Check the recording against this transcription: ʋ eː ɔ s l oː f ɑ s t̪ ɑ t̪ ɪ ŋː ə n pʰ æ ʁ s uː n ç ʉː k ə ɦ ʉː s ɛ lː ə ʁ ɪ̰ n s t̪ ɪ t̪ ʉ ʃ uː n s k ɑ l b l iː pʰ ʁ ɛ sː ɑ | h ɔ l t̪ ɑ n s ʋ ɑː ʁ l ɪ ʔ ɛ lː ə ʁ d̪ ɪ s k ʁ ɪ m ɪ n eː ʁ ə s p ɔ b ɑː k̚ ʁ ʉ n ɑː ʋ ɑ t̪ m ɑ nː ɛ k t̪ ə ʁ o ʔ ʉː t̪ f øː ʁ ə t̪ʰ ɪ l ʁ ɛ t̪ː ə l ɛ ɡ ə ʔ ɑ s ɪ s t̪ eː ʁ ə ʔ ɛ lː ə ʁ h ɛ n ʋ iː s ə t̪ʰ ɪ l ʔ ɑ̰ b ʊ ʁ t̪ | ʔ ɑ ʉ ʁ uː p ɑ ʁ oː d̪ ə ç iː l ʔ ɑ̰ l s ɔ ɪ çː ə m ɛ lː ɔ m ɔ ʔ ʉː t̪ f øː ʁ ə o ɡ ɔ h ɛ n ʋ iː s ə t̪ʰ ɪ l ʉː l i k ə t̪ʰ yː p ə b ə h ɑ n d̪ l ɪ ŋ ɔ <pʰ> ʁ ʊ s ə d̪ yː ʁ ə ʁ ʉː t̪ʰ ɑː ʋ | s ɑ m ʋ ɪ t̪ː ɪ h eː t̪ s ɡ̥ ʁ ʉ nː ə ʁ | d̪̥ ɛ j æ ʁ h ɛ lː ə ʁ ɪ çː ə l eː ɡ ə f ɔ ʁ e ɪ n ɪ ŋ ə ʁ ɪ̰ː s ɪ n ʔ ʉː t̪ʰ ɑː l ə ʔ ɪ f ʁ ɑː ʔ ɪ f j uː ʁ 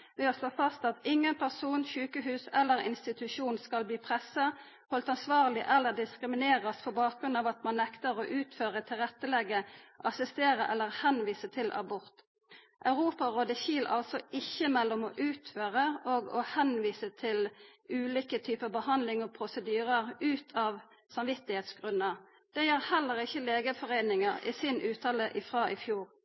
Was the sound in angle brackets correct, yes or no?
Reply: yes